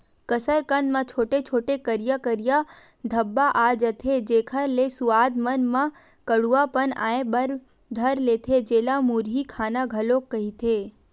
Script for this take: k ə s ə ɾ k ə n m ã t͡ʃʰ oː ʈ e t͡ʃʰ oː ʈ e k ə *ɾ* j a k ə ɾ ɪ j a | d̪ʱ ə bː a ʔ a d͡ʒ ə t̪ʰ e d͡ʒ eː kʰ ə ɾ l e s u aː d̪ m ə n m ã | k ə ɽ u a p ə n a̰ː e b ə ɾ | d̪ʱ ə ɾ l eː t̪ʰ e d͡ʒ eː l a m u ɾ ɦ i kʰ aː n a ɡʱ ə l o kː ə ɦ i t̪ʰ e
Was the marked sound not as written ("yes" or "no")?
no